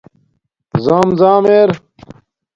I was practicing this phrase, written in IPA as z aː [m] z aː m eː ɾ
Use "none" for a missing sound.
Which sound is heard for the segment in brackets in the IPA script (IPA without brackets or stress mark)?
m